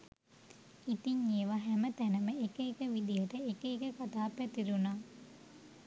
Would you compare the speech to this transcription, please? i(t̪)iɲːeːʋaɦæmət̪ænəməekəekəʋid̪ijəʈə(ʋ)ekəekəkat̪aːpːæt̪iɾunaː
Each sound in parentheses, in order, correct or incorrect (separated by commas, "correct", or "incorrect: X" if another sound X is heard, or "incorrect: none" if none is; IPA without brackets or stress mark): correct, incorrect: none